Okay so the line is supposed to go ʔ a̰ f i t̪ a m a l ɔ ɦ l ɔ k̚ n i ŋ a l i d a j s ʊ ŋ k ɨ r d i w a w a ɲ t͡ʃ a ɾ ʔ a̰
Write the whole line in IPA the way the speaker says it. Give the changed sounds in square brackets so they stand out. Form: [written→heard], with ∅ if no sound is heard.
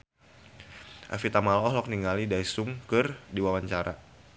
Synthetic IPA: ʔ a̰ f i t̪ a m a l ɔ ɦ l ɔ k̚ n i ŋ a l i d a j s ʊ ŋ k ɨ r d i w a w a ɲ t͡ʃ a ɾ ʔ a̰